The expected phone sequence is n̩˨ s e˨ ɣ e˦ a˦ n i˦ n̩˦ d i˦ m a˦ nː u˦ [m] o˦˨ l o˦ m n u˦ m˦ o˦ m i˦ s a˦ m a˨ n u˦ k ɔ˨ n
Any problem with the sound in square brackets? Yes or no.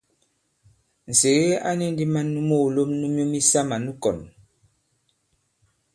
no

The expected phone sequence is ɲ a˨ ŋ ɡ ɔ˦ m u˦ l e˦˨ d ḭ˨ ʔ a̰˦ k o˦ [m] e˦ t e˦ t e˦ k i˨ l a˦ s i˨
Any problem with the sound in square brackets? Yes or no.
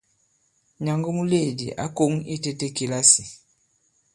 yes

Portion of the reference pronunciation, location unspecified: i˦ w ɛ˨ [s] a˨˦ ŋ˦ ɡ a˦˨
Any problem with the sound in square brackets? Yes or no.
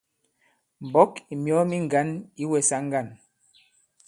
no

